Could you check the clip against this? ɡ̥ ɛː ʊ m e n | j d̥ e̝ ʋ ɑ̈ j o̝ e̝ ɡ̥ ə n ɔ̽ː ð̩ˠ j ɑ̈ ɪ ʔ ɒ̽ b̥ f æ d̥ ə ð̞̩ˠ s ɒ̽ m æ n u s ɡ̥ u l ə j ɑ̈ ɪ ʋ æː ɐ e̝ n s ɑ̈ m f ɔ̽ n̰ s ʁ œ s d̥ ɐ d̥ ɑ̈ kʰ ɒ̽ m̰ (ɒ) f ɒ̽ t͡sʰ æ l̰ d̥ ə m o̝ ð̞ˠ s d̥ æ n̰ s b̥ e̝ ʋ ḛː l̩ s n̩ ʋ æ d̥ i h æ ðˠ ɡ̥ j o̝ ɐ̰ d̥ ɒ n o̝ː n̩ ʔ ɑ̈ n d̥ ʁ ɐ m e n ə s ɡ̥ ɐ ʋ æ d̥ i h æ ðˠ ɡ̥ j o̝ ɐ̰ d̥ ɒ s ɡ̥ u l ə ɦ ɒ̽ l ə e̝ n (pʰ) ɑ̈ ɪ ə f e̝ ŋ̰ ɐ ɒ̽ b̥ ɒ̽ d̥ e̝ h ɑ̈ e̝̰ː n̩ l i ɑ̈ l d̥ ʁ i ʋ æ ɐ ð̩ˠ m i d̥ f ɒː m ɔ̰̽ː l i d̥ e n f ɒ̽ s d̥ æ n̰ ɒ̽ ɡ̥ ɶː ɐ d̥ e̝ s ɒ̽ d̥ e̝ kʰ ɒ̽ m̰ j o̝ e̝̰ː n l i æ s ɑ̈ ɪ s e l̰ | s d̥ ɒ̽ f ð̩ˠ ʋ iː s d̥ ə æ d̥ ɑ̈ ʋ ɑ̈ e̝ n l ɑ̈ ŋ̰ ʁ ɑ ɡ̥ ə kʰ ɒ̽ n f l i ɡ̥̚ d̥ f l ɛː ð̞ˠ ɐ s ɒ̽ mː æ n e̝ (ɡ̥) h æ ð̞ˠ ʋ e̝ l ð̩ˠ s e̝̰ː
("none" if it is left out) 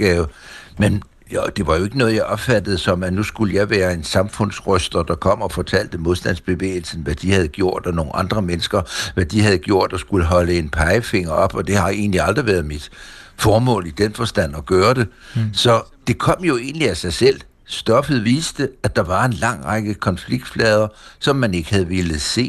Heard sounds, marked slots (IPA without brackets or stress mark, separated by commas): ɒ, pʰ, ɡ̥